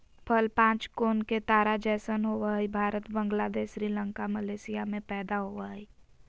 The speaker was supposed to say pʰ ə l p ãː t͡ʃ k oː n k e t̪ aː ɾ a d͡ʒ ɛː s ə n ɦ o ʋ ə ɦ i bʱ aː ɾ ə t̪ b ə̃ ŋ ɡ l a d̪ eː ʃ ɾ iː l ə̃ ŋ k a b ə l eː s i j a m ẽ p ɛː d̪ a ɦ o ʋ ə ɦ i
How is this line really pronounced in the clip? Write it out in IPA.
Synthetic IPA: pʰ ə l p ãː t͡ʃ k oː n k e t̪ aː ɾ a d͡ʒ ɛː s ə n ɦ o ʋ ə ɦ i bʱ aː ɾ ə t̪ b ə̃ ŋ ɡ l a d̪ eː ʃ ɾ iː l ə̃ ŋ k a m ə l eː s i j a m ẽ p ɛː d̪ a ɦ o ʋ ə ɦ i